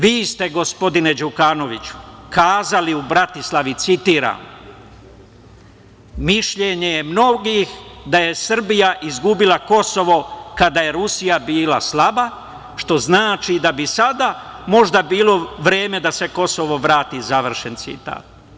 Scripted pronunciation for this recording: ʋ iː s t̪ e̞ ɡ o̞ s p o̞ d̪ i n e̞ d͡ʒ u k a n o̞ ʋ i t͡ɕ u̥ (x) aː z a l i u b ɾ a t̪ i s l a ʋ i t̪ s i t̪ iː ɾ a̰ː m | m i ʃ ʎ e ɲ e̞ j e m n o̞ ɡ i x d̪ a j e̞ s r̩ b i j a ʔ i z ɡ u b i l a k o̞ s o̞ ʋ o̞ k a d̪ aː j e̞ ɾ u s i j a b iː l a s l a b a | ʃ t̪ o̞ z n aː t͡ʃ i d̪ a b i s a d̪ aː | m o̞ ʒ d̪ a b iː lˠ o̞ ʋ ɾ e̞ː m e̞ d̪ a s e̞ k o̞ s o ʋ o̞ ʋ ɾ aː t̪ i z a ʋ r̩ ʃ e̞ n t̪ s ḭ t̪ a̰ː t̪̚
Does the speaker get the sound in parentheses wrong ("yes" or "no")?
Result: yes